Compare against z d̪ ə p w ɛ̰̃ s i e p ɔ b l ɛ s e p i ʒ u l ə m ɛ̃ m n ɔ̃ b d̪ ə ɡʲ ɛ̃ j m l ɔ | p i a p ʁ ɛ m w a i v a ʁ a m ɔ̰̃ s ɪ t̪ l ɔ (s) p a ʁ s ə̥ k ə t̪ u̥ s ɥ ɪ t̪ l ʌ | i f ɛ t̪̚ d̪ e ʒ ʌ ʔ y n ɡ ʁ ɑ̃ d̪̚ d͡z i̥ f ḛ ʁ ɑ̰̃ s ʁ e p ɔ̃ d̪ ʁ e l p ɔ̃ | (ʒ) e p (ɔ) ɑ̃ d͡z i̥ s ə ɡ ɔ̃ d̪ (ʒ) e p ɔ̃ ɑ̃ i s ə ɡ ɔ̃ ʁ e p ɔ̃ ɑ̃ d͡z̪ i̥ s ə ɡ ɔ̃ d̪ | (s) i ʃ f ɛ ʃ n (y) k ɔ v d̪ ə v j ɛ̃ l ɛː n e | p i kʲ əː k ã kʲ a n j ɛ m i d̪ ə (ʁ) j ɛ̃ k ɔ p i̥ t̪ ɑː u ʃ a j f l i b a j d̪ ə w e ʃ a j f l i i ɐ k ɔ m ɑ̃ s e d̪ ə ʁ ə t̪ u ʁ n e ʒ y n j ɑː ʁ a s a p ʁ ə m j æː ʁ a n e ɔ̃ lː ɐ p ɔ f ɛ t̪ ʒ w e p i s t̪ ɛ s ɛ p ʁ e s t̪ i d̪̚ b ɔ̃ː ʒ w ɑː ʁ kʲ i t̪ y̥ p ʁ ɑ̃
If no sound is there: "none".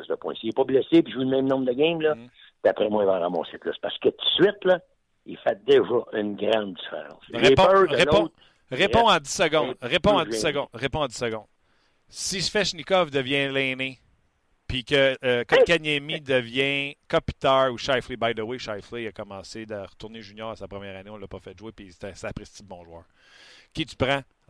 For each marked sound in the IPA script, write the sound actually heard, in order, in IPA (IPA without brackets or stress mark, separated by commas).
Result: s, ʁ, ɔ̃, ʁ, s, i, v